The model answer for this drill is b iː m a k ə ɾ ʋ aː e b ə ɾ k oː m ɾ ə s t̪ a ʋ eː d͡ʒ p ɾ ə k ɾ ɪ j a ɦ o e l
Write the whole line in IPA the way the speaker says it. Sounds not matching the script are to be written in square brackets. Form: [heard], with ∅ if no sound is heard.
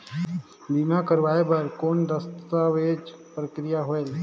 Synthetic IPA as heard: b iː m a k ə ɾ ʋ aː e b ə ɾ k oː [n] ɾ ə s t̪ a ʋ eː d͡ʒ p ɾ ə k ɾ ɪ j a ɦ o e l